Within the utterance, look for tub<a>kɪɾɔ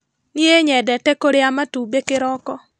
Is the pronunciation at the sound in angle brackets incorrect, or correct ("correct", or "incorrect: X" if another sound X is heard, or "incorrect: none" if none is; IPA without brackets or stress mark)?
incorrect: e